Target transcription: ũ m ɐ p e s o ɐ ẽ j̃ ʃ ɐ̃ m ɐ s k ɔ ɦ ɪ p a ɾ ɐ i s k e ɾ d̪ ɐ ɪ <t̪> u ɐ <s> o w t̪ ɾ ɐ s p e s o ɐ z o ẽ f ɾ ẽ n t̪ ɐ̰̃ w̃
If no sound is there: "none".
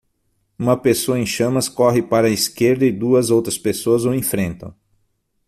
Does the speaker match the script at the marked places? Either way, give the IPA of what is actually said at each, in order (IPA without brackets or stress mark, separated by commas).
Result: d̪, z